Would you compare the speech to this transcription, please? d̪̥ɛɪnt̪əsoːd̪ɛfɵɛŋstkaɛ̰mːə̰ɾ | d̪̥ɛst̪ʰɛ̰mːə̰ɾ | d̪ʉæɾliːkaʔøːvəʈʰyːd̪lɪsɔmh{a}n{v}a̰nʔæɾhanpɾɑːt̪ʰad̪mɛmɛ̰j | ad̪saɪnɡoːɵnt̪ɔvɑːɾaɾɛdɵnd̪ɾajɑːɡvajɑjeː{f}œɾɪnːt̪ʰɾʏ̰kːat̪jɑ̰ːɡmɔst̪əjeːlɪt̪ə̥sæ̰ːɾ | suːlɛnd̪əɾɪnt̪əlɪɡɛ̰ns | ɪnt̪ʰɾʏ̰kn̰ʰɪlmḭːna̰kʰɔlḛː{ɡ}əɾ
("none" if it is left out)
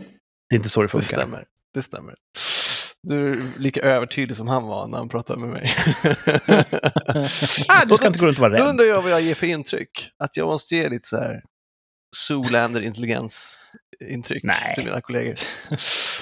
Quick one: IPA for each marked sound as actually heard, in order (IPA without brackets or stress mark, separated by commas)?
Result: a, v, f, ɡ